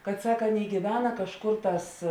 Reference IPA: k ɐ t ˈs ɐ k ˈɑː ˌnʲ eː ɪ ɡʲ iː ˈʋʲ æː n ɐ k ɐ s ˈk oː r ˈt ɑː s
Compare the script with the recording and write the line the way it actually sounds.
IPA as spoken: k ɐ t ˈs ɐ k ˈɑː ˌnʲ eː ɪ ɡʲ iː ˈʋʲ æː n ɐ k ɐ ʃ ˈk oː r ˈt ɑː s